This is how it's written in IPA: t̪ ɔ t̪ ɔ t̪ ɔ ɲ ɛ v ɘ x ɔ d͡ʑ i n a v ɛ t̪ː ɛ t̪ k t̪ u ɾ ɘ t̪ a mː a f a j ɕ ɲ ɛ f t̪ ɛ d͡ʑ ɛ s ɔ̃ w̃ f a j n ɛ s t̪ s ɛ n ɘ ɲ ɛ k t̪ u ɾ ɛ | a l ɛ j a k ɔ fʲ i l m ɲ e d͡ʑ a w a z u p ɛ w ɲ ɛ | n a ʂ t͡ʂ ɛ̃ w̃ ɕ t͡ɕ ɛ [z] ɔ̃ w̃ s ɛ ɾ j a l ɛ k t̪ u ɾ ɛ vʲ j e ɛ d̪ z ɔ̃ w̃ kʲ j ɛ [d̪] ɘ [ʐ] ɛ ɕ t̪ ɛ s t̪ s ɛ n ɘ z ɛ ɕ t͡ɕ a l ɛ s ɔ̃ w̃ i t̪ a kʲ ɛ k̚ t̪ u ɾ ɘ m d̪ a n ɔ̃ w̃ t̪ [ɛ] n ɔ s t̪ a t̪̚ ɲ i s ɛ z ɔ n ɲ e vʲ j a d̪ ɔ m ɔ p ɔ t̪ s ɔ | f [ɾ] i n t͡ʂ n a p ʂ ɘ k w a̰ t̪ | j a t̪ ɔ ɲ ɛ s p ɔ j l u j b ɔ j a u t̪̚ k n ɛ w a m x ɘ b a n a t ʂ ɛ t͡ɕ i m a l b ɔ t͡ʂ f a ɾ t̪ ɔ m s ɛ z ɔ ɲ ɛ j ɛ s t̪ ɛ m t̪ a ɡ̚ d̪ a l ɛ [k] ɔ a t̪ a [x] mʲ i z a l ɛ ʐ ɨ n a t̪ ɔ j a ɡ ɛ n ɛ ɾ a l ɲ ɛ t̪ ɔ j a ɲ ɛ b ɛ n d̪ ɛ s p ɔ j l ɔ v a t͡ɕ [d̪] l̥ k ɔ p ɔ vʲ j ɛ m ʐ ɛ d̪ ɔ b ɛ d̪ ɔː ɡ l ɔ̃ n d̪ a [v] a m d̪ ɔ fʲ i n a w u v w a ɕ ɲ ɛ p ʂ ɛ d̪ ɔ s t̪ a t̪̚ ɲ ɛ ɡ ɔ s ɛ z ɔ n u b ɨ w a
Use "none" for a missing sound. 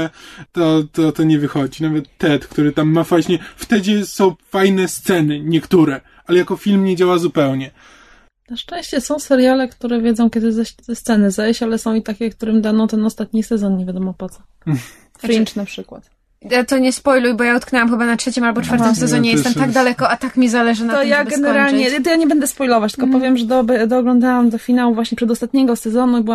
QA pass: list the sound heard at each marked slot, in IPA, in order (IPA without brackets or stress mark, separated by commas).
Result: s, d̪, z, ɛ, ɾ, k, k, t̪, w